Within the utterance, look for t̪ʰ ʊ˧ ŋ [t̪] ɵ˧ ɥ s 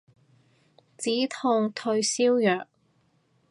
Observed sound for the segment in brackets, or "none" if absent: t̪ʰ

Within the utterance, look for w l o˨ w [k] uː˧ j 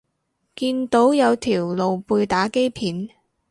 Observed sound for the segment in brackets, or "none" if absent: p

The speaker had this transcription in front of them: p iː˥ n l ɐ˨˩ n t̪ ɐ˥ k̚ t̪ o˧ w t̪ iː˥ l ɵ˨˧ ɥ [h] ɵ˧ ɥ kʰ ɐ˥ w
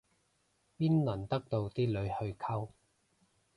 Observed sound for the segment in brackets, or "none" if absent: h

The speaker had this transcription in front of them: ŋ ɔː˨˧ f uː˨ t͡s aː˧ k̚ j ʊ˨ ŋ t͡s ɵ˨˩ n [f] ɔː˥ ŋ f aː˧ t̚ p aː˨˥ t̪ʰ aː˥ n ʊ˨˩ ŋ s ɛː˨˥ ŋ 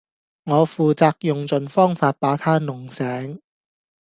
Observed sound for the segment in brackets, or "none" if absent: f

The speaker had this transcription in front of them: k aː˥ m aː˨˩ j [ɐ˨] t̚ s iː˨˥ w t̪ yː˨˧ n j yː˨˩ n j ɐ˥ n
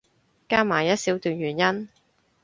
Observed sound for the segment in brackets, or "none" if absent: ɐ˥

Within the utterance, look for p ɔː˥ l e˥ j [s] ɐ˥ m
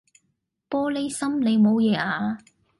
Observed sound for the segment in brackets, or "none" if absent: s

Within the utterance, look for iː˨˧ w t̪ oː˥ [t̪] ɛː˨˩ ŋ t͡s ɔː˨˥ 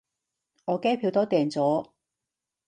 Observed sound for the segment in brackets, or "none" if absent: t̪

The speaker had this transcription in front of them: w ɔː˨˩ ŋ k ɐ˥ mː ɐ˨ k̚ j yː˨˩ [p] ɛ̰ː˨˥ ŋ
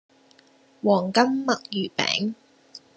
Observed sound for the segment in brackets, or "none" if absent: p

